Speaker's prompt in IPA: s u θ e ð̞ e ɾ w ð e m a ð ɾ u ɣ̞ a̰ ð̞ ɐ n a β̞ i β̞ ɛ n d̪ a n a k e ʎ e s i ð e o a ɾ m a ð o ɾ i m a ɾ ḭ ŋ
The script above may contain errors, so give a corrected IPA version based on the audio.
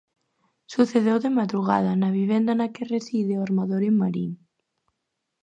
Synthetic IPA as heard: s u θ e ð̞ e w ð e m a ð ɾ u ɣ̞ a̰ ð̞ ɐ n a β̞ i β̞ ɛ n d̪ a n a k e r e s i ð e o a ɾ m a ð o ɾ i m a ɾ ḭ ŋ